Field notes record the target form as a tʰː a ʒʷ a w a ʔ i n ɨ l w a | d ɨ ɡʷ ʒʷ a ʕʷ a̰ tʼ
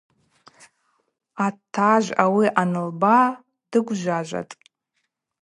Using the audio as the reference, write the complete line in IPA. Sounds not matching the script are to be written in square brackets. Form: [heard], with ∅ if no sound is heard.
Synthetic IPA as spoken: a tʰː a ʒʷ a w [i] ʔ [a] n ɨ l [b] a | d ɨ ɡʷ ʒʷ a [ʒʷ] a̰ tʼ